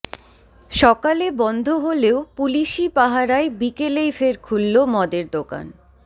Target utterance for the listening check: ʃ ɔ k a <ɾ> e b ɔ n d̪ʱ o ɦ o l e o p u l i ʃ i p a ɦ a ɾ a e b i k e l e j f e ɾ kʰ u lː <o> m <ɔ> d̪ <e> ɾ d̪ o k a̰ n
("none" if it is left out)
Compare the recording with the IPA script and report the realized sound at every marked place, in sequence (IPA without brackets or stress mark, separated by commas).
l, o, ɔ, e